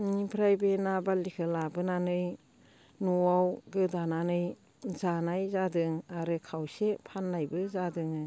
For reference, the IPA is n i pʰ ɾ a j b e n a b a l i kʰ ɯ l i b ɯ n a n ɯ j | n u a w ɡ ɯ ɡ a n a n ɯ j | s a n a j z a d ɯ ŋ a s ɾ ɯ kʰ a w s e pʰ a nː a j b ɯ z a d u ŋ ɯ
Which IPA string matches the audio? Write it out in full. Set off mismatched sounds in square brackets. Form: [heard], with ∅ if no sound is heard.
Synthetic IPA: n i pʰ ɾ a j b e n a b a l i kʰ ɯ l [a] b ɯ n a n ɯ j | n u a w ɡ ɯ [d] a n a n ɯ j | [z] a n a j z a d ɯ ŋ a [∅] ɾ ɯ kʰ a w s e pʰ a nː a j b ɯ z a d [ɯ] ŋ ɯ